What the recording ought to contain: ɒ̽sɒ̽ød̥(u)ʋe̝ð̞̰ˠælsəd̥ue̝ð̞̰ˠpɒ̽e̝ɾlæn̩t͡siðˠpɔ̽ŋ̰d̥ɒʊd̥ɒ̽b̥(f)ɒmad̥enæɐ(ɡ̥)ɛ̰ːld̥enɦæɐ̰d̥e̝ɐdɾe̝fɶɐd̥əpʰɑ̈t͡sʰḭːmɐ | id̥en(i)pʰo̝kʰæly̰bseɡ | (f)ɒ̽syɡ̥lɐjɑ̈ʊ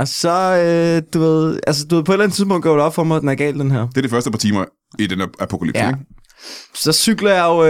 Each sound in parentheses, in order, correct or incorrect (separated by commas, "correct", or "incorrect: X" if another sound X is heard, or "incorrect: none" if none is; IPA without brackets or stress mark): correct, correct, correct, incorrect: æ, incorrect: s